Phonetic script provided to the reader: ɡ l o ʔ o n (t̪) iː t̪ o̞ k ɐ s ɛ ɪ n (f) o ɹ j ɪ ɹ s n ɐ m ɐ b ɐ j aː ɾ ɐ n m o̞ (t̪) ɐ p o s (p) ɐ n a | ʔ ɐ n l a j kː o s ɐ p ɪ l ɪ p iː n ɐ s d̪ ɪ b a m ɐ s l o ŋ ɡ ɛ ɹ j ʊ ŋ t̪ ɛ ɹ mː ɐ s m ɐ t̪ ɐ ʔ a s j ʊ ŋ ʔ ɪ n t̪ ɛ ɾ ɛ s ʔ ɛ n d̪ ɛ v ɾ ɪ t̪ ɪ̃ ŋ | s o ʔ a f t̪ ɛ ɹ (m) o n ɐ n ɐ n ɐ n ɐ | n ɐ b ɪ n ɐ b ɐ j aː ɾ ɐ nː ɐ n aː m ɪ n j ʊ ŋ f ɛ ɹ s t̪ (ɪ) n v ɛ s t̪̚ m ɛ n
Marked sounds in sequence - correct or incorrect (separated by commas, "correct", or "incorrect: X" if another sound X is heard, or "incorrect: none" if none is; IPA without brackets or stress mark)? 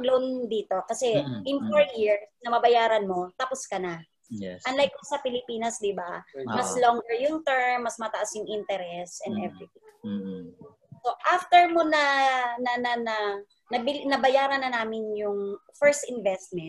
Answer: incorrect: d̪, correct, correct, incorrect: k, correct, correct